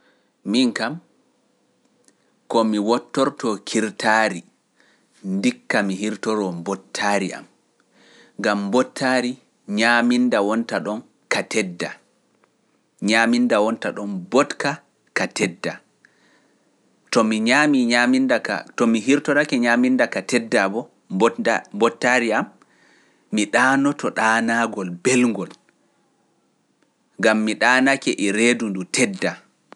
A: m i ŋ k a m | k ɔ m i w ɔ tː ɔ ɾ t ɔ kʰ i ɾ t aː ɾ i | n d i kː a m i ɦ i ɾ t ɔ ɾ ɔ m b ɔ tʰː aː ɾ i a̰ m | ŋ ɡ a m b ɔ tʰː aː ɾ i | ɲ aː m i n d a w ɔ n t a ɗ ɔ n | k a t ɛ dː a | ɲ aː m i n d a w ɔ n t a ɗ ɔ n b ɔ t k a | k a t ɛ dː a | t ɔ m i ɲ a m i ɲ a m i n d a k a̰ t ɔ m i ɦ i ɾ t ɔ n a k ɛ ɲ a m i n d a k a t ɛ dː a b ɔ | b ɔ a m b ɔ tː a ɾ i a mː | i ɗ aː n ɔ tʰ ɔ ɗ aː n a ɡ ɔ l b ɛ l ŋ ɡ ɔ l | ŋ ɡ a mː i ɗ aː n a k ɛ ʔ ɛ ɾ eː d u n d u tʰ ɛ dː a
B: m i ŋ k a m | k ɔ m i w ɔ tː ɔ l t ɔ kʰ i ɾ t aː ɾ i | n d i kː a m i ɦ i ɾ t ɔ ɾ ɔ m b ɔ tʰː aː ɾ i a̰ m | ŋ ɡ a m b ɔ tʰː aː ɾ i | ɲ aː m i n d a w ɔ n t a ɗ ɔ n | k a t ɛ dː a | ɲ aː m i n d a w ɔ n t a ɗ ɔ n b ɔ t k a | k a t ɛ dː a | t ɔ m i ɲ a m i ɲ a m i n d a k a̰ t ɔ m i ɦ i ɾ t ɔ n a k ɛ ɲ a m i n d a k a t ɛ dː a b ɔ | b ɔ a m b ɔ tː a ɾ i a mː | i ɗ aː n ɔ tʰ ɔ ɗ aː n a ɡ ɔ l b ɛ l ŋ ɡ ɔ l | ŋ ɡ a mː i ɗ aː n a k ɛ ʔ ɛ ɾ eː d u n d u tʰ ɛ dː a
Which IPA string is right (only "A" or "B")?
A